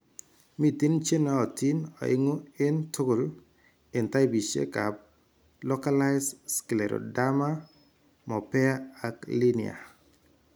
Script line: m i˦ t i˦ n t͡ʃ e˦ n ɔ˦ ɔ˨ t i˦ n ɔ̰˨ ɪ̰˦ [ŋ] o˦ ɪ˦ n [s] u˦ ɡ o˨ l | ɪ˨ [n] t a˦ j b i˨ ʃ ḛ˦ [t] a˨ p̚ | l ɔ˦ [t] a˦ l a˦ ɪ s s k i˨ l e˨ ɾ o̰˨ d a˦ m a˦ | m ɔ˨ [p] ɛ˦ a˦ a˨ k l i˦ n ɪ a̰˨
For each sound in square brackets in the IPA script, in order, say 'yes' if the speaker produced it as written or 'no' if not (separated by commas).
yes, no, yes, no, no, yes